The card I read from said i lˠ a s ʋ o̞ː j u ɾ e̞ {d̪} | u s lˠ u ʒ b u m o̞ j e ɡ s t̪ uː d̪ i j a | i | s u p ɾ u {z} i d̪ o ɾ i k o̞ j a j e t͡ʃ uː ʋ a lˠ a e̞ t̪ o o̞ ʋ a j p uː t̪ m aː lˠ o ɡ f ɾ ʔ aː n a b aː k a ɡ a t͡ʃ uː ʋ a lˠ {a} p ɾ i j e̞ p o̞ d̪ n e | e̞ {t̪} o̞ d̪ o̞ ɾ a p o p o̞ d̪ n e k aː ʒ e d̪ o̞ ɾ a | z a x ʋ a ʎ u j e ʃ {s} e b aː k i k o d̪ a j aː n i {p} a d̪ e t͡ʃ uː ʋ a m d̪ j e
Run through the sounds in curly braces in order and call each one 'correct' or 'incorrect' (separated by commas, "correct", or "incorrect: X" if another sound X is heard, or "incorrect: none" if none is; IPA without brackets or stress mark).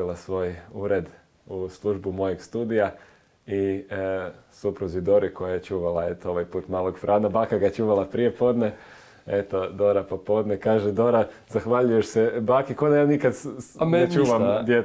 correct, correct, correct, correct, correct, incorrect: k